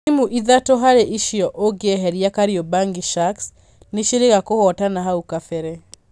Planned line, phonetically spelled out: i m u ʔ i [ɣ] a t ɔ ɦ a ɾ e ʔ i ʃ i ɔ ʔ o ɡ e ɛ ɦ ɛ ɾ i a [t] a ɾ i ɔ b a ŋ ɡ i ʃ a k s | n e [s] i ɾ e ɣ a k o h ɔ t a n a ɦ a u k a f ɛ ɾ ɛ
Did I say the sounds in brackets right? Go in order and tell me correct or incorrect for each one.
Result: incorrect: ð, incorrect: k, incorrect: ʃ

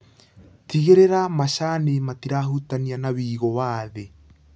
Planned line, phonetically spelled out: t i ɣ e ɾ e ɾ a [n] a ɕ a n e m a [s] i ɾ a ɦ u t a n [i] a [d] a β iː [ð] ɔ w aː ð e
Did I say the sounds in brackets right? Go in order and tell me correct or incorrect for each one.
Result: incorrect: m, incorrect: t, correct, incorrect: n, incorrect: ɣ

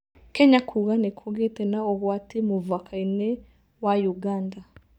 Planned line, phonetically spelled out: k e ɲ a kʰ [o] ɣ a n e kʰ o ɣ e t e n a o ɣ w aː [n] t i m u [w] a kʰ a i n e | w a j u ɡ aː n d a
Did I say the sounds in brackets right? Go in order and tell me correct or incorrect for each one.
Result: incorrect: u, incorrect: none, incorrect: v

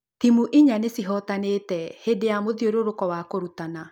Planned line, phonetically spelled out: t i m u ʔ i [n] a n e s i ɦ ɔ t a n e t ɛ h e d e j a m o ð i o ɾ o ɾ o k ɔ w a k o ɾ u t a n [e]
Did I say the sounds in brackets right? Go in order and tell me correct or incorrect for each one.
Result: incorrect: ɲ, incorrect: a

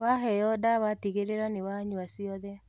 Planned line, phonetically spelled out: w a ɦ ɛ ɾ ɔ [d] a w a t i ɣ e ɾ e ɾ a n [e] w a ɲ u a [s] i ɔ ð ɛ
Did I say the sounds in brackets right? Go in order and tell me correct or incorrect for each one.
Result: correct, correct, correct

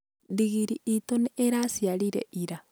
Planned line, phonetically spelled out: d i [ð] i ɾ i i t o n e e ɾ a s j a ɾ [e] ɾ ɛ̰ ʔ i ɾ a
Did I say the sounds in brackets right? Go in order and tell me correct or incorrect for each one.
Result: incorrect: ɣ, incorrect: i

